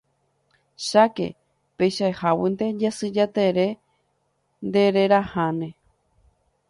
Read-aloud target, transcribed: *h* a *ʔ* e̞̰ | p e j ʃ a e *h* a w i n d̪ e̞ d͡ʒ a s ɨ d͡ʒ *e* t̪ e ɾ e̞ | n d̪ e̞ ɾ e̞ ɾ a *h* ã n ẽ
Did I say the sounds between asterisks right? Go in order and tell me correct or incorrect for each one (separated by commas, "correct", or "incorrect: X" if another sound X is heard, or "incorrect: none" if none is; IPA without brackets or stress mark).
incorrect: ʃ, incorrect: k, correct, incorrect: a, correct